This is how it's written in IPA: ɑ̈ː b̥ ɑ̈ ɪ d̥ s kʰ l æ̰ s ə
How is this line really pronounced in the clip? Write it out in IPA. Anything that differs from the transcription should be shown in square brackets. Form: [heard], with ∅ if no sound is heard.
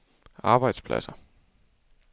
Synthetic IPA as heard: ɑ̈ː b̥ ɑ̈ ɪ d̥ s [pʰ] l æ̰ s [ɐ]